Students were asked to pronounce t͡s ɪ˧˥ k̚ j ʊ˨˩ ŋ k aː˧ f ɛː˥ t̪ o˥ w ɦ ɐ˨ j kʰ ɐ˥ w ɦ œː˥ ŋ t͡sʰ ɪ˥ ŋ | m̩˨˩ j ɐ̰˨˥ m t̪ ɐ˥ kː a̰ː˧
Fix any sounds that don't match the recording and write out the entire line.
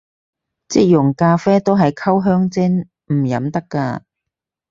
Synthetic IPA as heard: t͡s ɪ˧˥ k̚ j ʊ˨˩ ŋ k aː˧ f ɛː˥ t̪ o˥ w ɦ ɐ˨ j kʰ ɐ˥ w ɦ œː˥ ŋ t͡s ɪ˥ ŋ | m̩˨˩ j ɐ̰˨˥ m t̪ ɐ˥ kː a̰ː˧